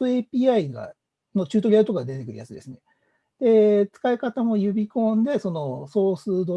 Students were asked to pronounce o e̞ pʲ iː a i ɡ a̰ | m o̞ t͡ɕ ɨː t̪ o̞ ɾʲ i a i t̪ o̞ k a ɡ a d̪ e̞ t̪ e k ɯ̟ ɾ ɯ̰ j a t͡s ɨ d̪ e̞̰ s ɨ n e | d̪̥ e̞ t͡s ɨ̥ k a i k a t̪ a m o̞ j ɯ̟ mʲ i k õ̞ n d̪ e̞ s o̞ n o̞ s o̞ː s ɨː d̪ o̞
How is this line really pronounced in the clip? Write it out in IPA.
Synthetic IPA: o e̞ pʲ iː a i ɡ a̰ | n o̞ t͡ɕ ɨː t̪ o̞ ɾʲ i a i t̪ o̞ k a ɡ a d̪ e̞ t̪ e k ɯ̟ ɾ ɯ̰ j a t͡s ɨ d̪ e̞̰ s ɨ n e | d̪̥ e̞ t͡s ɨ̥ k a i k a t̪ a m o̞ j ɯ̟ bʲ i k õ̞ n d̪ e̞ s o̞ n o̞ s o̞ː s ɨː d̪ o̞